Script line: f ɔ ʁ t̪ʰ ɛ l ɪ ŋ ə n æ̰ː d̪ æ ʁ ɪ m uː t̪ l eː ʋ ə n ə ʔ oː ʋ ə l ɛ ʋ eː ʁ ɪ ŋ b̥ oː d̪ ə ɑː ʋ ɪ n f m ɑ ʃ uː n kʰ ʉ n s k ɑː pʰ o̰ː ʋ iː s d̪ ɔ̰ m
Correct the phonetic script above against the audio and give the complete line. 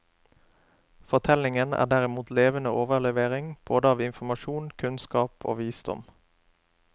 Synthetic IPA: f ɔ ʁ t̪ʰ ɛ l ɪ ŋ ə n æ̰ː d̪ æ ʁ ɪ m uː t̪ l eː ʋ ə n ə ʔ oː ʋ ə l ɛ ʋ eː ʁ ɪ ŋ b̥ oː d̪ ə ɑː ʋ ɪ n f m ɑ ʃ uː n kʰ ʉ n s k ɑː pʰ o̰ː ʋ iː s d̪ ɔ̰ m